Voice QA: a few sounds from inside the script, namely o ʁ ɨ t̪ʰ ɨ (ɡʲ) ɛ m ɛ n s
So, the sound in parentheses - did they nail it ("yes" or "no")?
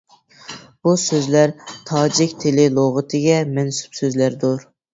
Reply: yes